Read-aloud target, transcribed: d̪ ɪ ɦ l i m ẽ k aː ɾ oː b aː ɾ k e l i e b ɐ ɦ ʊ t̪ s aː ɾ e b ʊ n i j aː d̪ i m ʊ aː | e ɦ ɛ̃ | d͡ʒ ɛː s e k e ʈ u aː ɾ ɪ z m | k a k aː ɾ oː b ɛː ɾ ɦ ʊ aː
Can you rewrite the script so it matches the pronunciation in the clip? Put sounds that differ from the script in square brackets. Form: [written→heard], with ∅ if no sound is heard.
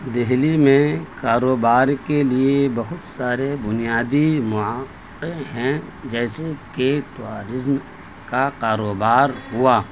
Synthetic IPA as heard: d̪ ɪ ɦ l i m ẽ k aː ɾ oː b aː ɾ k e l i e b ɐ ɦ ʊ t̪ s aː ɾ e b ʊ n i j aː d̪ i m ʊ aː | e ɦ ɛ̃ | d͡ʒ ɛː s e k e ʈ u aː ɾ ɪ z m | k a k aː ɾ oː b [ɛː→aː] ɾ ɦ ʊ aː

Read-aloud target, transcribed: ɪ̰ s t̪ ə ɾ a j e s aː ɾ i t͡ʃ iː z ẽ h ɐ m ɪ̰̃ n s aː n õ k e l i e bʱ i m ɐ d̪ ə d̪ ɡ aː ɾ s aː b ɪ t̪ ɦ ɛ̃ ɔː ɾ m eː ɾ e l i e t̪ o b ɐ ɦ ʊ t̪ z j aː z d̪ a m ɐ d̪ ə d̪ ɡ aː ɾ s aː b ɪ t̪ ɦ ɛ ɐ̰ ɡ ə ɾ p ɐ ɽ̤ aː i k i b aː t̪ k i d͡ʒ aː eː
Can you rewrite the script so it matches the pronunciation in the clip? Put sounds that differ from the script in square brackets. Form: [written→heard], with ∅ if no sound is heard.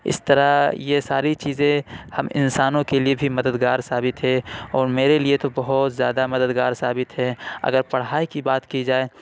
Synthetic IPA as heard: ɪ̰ s t̪ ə ɾ a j e s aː ɾ i t͡ʃ iː z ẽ h ɐ m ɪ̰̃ n s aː n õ k e l i e bʱ i m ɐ d̪ ə d̪ ɡ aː ɾ s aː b ɪ t̪ ɦ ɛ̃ ɔː ɾ m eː ɾ e l i e t̪ o b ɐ ɦ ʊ t̪ z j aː [z→∅] d̪ a m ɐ d̪ ə d̪ ɡ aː ɾ s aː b ɪ t̪ ɦ ɛ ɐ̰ ɡ ə ɾ p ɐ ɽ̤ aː i k i b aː t̪ k i d͡ʒ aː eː

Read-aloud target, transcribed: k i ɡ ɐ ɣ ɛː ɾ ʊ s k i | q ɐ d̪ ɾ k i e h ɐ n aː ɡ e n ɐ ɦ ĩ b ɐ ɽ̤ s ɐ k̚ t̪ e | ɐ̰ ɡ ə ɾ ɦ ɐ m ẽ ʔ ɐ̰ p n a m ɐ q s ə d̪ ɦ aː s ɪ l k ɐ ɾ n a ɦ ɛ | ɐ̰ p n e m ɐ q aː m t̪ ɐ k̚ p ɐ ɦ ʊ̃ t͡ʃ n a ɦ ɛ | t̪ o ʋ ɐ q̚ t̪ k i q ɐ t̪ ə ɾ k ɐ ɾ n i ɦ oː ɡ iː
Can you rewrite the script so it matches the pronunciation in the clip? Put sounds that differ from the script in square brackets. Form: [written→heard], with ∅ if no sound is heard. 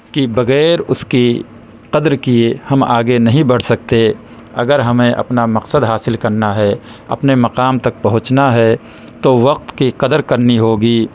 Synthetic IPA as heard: k i [ɡ→b] ɐ ɣ ɛː ɾ ʊ s k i | q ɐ d̪ ɾ k i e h ɐ [n→m] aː ɡ e n ɐ ɦ ĩ b ɐ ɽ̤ s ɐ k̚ t̪ e | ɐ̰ ɡ ə ɾ ɦ ɐ m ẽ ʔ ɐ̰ p n a m ɐ q s ə d̪ ɦ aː s ɪ l k ɐ ɾ n a ɦ ɛ | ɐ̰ p n e m ɐ q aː m t̪ ɐ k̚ p ɐ ɦ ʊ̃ t͡ʃ n a ɦ ɛ | t̪ o ʋ ɐ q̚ t̪ k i q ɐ [t̪→d̪] ə ɾ k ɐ ɾ n i ɦ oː ɡ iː

